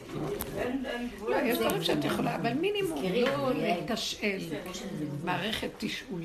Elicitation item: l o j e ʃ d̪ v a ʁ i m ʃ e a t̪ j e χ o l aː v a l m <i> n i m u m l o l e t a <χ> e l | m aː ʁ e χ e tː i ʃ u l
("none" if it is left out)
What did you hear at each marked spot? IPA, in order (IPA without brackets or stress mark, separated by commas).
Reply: i, ʃ